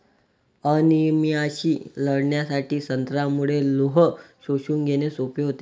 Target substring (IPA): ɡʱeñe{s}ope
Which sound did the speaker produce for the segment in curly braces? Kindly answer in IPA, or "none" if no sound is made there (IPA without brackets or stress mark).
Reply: s